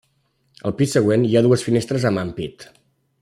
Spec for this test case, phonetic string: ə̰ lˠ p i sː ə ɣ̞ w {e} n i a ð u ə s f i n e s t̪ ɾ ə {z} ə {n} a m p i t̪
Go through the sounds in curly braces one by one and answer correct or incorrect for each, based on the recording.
correct, correct, incorrect

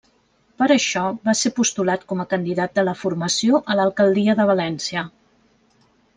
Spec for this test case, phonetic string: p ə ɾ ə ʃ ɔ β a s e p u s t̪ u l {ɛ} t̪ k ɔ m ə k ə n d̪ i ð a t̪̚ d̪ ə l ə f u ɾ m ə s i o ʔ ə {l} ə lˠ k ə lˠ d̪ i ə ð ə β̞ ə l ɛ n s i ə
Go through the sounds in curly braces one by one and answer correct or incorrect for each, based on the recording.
incorrect, correct

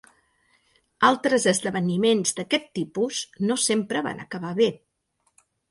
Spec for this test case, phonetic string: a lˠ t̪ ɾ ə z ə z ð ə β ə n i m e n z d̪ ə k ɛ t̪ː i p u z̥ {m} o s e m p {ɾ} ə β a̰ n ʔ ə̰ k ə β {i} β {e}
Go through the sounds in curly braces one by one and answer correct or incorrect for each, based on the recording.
incorrect, correct, incorrect, correct

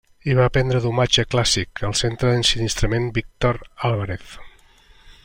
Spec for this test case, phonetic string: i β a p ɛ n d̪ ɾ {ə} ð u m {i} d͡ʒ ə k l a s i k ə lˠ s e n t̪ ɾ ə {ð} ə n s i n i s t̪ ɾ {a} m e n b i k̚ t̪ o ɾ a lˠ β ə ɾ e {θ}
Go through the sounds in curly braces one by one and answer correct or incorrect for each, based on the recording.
correct, incorrect, correct, incorrect, correct

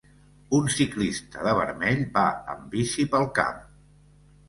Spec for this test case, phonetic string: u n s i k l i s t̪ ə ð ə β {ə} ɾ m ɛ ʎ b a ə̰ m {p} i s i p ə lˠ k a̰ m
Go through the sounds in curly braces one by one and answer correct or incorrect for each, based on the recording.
correct, incorrect

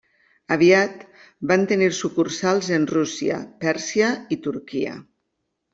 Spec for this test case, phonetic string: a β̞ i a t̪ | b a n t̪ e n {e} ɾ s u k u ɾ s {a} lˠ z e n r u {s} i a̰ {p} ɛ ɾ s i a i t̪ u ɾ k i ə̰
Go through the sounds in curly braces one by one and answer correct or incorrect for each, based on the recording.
incorrect, correct, correct, correct

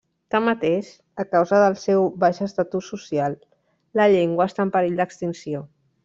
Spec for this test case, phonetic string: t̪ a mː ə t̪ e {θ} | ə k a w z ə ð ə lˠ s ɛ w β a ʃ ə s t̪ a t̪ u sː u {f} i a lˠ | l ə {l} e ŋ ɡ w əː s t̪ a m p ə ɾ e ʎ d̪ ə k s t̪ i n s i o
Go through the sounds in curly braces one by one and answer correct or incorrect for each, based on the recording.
incorrect, incorrect, incorrect

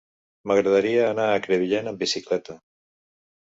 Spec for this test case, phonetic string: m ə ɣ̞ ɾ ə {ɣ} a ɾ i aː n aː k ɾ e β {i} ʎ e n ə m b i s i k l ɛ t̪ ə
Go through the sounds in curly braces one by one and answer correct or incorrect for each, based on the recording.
incorrect, correct

